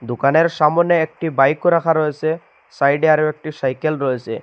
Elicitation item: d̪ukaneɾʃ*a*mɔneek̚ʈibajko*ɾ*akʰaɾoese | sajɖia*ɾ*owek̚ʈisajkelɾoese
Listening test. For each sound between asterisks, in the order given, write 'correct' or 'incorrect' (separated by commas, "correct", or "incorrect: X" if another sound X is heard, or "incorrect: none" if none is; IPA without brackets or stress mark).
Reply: correct, correct, correct